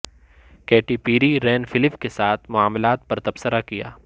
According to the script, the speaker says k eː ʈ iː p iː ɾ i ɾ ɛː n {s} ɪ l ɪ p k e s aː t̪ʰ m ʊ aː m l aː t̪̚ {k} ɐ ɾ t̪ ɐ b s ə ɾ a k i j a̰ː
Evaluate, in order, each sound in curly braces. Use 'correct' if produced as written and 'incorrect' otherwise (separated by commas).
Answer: incorrect, incorrect